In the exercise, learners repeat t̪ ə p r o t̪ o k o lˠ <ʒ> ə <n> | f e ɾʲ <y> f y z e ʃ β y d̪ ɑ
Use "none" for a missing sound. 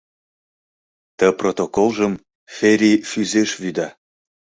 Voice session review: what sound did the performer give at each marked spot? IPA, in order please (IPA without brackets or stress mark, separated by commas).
ʒ, m, i